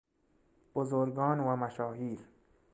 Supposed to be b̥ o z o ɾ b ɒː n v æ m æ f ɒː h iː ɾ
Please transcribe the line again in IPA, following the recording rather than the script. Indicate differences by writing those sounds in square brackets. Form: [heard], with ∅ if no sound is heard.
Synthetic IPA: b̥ o z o ɾ [ɡ] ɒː n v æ m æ [ʃ] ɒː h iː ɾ